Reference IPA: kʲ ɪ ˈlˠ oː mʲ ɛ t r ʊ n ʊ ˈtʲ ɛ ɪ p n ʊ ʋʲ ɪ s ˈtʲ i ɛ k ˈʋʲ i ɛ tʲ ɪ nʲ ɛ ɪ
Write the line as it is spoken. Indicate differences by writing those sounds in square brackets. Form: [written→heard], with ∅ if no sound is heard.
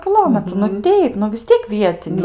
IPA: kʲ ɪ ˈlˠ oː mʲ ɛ t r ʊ n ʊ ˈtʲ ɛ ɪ p n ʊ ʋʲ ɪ s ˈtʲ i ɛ k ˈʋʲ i ɛ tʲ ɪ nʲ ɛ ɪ